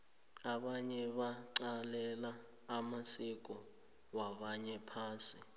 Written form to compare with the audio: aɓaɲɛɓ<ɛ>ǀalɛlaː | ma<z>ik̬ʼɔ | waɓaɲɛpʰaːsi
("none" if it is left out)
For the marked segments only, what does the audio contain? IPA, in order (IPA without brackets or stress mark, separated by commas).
a, s